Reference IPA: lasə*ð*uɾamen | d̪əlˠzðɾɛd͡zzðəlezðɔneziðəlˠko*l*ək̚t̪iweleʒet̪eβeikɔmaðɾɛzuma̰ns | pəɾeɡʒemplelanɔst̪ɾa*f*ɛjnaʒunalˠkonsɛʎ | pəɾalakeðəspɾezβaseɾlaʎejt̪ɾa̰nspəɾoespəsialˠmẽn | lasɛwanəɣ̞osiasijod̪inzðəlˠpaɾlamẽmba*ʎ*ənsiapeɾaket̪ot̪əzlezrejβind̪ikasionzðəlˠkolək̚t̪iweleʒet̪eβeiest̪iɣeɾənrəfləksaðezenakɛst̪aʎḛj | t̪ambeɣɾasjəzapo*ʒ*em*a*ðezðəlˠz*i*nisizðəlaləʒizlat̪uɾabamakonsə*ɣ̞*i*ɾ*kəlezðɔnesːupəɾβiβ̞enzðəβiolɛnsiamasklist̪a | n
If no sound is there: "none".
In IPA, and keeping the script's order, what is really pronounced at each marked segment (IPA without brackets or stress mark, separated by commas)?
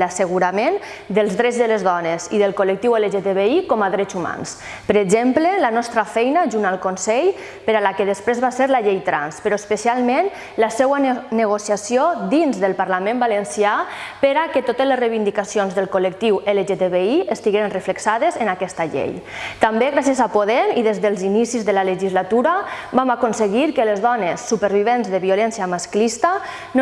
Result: ɣ, l, f, l, ð, i, i, ɣ̞, ɾ